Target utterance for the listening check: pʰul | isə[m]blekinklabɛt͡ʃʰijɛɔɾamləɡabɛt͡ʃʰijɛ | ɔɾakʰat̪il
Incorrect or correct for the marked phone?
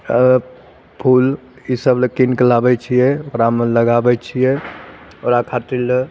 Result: incorrect: none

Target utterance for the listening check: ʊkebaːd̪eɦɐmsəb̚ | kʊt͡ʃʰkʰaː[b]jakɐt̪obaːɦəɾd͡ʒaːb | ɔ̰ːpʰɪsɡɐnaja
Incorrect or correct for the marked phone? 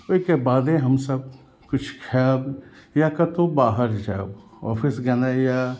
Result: correct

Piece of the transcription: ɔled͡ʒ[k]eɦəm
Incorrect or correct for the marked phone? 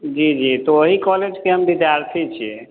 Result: correct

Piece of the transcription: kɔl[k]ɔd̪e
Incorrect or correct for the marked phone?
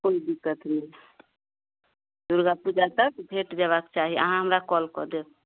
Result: correct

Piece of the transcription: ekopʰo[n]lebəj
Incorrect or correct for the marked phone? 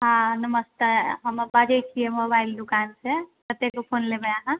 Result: correct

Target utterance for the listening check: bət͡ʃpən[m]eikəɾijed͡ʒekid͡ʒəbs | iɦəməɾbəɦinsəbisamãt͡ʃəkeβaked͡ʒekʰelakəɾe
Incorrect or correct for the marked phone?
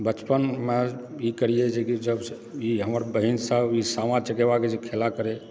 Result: correct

